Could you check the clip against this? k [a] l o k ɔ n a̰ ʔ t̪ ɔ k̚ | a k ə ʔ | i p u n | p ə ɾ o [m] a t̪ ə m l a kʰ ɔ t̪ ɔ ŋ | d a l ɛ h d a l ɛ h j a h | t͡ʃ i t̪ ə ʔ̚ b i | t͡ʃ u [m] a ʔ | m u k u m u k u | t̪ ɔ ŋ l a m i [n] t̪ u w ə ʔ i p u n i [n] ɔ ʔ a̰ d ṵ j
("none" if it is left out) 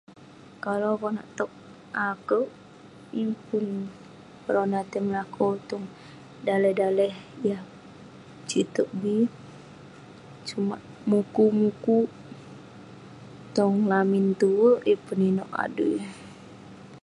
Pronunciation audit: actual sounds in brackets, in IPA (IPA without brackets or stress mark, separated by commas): a, n, m, n, n